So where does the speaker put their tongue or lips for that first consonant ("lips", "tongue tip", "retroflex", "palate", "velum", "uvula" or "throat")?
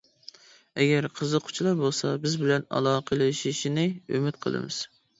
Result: velum